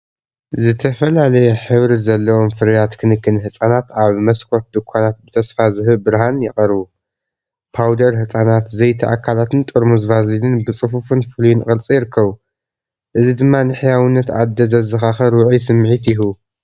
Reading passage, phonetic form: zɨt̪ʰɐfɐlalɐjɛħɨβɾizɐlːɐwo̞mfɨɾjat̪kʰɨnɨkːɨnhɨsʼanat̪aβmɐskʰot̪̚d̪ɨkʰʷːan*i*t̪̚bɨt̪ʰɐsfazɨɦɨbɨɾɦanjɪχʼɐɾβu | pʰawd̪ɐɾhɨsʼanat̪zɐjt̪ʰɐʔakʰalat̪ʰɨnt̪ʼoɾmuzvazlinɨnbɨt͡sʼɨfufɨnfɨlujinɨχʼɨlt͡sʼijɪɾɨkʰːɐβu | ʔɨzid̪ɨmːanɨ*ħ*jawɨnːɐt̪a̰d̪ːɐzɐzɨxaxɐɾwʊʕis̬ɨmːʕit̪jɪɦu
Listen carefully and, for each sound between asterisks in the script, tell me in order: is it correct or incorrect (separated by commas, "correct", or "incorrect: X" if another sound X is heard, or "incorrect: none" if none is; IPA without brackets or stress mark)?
incorrect: a, correct